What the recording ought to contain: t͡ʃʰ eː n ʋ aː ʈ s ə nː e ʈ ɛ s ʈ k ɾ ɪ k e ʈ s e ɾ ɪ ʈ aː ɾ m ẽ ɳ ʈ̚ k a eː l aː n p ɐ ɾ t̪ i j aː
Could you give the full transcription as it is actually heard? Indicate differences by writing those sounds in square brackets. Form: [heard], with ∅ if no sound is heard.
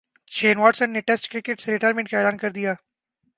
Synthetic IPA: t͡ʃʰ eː n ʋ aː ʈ s ə nː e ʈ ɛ s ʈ k ɾ ɪ k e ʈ s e ɾ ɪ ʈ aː ɾ m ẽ ɳ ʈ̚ k a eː l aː n [k] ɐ ɾ [d̪] i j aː